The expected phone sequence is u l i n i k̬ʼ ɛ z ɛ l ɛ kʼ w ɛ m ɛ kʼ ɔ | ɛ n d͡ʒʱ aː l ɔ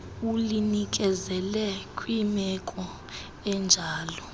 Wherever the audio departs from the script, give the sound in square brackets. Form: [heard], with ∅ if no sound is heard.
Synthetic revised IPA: u l i n i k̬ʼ ɛ z ɛ l ɛ kʼ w [i] m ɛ kʼ ɔ | ɛ n d͡ʒʱ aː l ɔ